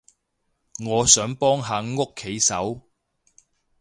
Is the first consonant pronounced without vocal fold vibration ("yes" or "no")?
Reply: no